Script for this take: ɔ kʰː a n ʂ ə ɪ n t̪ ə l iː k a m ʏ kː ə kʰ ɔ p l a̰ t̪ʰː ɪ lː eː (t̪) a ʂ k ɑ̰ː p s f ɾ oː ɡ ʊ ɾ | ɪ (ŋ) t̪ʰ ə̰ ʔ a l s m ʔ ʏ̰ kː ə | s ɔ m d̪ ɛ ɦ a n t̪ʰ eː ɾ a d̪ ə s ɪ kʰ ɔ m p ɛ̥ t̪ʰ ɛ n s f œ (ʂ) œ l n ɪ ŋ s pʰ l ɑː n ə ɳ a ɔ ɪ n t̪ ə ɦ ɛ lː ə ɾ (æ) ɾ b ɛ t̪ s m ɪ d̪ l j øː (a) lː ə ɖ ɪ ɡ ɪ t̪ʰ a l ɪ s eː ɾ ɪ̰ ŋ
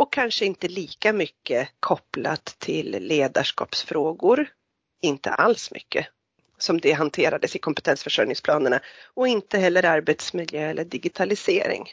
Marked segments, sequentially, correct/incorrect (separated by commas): incorrect, incorrect, correct, incorrect, incorrect